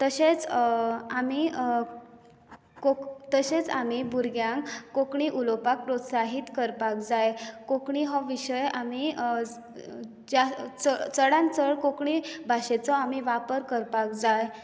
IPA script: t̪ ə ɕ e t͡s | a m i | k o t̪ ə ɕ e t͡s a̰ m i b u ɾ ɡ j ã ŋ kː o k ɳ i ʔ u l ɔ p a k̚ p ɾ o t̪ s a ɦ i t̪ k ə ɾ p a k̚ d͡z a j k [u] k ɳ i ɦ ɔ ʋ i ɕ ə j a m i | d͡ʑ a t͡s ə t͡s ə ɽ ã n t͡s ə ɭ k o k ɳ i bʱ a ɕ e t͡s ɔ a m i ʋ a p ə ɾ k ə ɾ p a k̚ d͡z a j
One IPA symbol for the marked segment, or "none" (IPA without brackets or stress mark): o